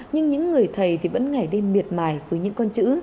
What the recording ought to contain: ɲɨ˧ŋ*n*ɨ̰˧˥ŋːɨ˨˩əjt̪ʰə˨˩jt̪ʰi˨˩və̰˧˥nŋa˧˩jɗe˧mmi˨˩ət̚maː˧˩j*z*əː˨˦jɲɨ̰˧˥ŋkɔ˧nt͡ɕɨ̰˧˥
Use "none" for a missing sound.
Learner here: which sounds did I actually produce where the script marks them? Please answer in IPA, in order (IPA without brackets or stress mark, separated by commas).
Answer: ɲ, v